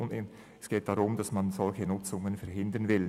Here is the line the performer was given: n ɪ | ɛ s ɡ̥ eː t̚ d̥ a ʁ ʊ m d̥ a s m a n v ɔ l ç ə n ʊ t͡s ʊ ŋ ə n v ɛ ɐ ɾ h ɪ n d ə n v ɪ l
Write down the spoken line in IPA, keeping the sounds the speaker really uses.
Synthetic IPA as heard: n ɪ | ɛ s ɡ̥ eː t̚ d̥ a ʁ ʊ m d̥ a s m a n z ɔ l ç ə n ʊ t͡s ʊ ŋ ə n f ɛ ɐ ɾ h ɪ n d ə n v ɪ l